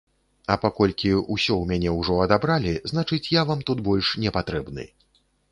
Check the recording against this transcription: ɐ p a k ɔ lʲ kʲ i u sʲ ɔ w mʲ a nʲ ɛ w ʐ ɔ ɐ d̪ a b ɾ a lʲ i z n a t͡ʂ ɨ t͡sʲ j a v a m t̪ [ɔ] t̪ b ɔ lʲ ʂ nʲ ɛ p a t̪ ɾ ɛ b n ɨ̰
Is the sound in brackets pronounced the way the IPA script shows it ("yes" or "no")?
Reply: no